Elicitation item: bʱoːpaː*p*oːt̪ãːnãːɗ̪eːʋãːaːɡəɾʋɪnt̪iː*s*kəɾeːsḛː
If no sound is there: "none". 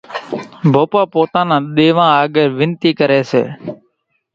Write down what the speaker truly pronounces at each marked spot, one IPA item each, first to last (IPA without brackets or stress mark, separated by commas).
p, none